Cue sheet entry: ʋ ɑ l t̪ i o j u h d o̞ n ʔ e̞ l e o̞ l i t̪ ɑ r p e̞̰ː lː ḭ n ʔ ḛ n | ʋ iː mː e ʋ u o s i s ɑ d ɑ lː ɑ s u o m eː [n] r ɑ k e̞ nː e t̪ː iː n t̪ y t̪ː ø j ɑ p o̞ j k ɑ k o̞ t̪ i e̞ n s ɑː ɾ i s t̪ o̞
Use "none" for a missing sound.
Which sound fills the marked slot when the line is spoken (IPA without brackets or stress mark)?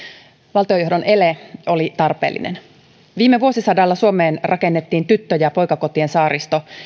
n